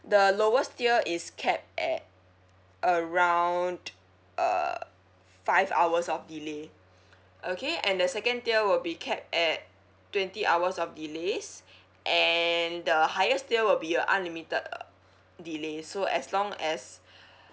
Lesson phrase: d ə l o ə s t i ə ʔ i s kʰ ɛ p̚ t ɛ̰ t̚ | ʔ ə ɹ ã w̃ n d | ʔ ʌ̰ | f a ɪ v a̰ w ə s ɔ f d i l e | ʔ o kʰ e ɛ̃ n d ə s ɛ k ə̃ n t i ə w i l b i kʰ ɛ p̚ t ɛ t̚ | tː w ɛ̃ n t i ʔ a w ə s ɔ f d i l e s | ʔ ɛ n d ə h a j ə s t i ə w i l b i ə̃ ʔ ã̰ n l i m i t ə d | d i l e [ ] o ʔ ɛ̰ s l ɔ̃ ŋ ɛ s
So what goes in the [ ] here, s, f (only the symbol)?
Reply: s